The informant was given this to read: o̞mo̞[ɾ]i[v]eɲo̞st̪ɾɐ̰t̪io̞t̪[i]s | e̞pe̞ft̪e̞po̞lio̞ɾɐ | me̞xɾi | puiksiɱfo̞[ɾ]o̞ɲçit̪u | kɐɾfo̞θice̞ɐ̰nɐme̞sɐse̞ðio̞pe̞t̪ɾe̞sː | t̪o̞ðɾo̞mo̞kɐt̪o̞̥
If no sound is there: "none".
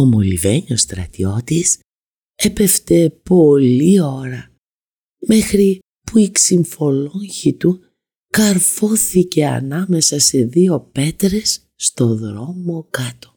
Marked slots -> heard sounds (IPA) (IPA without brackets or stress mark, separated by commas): l, v, i, l